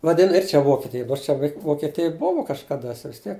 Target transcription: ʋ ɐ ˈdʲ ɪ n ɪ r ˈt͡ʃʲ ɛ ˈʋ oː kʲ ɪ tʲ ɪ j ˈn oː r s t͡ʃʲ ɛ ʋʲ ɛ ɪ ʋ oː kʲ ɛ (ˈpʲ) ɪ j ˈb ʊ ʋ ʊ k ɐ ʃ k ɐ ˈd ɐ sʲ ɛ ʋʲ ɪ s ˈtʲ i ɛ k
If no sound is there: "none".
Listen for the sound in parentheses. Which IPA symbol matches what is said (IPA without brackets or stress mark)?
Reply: tʲ